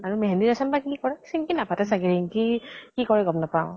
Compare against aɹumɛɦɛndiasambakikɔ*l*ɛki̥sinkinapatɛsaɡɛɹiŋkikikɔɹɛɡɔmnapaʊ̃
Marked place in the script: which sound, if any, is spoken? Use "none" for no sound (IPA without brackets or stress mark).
ɹ